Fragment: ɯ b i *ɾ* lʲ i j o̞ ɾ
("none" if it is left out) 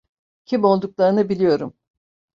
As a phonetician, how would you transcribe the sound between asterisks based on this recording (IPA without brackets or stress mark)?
none